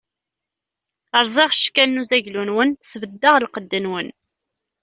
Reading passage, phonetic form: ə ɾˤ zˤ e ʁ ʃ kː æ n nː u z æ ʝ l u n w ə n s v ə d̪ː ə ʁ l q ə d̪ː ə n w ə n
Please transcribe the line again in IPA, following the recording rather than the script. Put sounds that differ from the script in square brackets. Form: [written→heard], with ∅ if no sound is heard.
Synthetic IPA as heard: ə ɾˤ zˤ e ʁ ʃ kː æ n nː u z æ ʝ l u n w ə n s v ə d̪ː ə ʁ l q ə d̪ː ə n w ə n